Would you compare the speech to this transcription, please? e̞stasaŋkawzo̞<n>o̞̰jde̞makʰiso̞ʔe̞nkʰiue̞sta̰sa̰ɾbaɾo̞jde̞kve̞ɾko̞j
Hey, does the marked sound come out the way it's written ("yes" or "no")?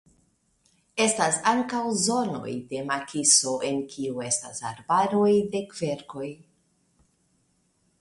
yes